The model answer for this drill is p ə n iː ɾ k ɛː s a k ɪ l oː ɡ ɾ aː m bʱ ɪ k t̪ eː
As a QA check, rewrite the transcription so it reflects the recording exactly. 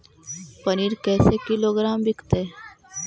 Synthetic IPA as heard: p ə n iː ɾ k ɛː s e k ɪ l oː ɡ ɾ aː m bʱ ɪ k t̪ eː